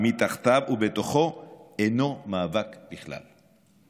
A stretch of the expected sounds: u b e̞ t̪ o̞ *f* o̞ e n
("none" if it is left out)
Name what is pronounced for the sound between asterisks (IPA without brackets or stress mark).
χ